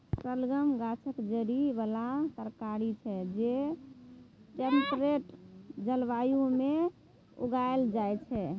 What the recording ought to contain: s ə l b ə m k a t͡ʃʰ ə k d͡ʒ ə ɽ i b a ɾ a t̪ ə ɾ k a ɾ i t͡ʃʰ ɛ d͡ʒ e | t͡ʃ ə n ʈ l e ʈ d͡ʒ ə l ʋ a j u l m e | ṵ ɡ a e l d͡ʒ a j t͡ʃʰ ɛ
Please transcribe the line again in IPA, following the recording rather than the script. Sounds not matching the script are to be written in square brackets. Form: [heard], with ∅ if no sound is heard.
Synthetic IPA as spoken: s ə l [ɡ] ə m [ɡ] a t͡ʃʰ ə k d͡ʒ ə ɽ i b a [l] a t̪ ə ɾ k a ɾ i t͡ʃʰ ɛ d͡ʒ e | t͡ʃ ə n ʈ [ɾ] e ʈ d͡ʒ ə l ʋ a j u [∅] m e | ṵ ɡ a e l d͡ʒ a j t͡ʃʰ ɛ